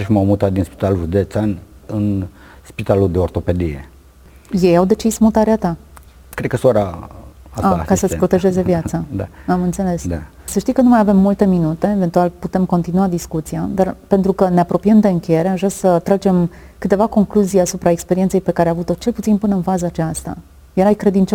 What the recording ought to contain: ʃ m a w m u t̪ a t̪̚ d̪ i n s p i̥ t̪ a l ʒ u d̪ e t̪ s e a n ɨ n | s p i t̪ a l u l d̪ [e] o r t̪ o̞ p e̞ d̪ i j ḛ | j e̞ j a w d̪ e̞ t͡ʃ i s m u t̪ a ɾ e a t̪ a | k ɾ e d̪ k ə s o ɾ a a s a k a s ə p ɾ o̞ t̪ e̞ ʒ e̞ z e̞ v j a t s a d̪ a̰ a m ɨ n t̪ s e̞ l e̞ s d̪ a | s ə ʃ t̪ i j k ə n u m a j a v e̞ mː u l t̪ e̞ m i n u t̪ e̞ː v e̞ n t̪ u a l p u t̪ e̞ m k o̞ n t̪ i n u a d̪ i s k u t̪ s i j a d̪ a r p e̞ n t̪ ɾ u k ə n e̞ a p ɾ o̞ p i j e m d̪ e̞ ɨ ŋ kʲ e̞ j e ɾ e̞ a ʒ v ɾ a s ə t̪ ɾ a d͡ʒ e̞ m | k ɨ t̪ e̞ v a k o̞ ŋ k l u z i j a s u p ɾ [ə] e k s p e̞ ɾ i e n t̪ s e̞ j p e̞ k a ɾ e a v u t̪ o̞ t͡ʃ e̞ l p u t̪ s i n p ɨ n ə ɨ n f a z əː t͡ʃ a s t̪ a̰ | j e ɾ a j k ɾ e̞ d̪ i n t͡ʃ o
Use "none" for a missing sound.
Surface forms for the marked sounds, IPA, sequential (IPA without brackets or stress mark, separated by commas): e, a